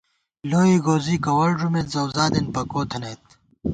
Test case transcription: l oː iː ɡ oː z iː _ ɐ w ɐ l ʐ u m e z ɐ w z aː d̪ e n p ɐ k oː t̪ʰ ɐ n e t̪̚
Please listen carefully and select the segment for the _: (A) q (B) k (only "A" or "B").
B